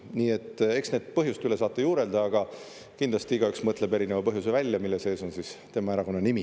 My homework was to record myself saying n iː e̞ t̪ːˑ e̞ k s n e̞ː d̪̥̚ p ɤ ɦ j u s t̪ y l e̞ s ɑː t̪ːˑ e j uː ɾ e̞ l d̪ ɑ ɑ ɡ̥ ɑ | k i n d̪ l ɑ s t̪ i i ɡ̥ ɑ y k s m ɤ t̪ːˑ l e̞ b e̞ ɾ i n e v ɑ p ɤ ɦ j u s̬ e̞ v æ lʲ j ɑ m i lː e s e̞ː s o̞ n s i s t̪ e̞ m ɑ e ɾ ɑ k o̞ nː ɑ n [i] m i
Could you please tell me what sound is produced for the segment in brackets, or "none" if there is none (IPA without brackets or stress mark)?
i